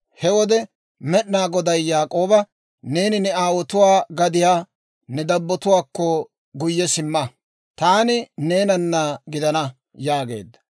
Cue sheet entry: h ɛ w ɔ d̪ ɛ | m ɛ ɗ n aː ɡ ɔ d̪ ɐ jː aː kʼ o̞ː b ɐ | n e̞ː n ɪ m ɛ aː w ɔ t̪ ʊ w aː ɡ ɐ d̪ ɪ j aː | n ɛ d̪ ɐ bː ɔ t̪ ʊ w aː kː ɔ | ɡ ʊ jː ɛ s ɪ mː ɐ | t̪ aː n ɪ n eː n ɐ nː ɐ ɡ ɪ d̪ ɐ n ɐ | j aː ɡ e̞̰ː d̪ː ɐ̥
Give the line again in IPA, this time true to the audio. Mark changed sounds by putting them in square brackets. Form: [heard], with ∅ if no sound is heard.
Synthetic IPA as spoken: h ɛ w ɔ d̪ ɛ | m ɛ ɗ n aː ɡ ɔ d̪ ɐ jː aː kʼ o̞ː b ɐ | n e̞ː n ɪ [n] ɛ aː w ɔ t̪ ʊ w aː ɡ ɐ d̪ ɪ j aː | n ɛ d̪ ɐ bː ɔ t̪ ʊ w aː kː ɔ | ɡ ʊ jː ɛ s ɪ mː ɐ | t̪ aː n ɪ n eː n ɐ nː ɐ ɡ ɪ d̪ ɐ n ɐ | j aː ɡ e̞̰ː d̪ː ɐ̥